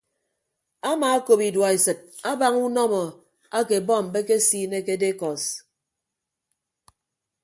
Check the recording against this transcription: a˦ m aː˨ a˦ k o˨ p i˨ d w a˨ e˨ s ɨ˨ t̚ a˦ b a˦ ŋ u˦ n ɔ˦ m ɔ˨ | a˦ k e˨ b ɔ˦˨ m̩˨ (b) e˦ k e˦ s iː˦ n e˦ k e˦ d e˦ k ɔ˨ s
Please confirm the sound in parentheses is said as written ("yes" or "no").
yes